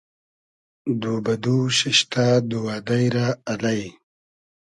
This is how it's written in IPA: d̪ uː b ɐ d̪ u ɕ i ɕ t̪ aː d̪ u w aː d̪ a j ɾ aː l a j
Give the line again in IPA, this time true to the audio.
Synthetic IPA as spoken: d̪ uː b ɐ d̪ u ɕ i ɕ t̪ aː d̪ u w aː d̪ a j ɾ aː l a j